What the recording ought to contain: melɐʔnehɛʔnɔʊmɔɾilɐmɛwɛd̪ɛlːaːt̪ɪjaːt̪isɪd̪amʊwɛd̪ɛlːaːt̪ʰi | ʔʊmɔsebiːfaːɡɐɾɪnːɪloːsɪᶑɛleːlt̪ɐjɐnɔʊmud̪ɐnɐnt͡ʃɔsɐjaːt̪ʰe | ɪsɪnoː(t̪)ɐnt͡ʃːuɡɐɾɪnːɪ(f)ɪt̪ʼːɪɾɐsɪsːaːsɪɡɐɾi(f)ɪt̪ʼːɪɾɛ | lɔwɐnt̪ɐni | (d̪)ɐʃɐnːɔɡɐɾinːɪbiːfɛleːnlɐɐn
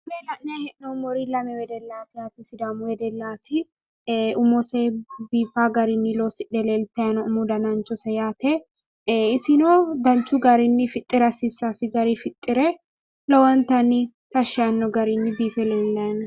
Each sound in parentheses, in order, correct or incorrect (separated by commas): incorrect, correct, correct, incorrect